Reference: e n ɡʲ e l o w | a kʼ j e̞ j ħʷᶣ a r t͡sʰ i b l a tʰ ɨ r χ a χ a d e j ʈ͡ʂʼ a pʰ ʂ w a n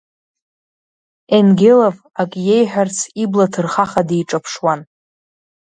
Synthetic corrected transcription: e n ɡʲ e l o v | a kʼ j e̞ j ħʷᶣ a r t͡sʰ i b l a tʰ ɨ r χ a χ a d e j ʈ͡ʂʼ a pʰ ʂ w a n

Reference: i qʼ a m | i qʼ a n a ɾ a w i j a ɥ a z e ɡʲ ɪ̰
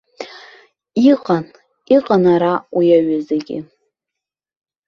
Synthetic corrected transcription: i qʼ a n | i qʼ a n a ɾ a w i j a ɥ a z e ɡʲ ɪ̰

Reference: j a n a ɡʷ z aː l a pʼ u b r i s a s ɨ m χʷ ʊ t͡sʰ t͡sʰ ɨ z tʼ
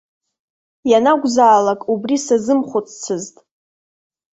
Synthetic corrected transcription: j a n a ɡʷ z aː l a kʼ u b r i s a z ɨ m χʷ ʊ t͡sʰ t͡sʰ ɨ z tʼ

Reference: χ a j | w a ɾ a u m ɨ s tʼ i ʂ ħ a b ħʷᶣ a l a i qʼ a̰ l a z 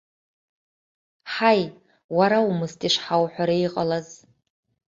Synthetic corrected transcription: ħ a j | w a ɾ a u m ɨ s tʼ i ʂ ħ a w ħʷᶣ a ɾ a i qʼ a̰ l a z

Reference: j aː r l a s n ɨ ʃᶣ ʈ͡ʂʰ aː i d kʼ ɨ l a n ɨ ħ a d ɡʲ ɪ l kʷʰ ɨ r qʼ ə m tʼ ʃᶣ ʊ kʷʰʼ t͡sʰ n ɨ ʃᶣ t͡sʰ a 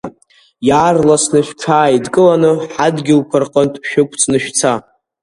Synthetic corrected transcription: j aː r l a s n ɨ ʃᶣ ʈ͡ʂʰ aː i d kʼ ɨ l a n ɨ ħ a d ɡʲ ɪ l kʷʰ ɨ r qʼ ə n tʼ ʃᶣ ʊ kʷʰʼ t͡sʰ n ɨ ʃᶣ t͡sʰ a

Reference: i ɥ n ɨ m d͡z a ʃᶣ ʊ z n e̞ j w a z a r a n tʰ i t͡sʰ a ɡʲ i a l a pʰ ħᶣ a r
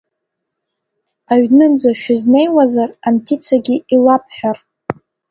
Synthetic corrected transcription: a ɥ n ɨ n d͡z a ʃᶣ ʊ z n e̞ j w a z a r a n tʰ i t͡sʰ a ɡʲ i i l a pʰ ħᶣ a r

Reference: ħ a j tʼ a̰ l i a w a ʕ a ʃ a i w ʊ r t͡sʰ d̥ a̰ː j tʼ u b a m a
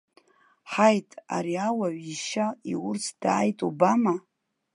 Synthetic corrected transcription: ħ a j tʼ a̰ ɾ i a w a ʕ i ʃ a i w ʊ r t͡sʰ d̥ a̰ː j tʼ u b a m a

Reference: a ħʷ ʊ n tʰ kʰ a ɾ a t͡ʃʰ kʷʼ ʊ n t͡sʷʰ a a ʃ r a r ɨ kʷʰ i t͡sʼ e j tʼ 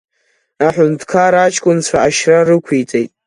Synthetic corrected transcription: a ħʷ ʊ n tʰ kʰ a ɾ a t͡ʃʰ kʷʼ ʊ n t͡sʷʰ a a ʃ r a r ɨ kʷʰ i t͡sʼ e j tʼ

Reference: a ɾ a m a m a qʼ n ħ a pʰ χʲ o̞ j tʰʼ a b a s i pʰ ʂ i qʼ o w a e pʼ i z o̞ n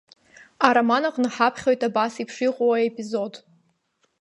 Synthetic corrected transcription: a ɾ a m a n a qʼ n ħ a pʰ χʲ o̞ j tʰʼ a b a s i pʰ ʂ i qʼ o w a e pʼ i z o̞ d

